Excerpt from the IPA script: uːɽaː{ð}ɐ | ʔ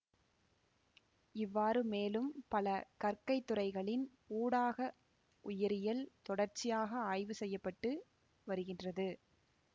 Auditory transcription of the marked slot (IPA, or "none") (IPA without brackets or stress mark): ɣ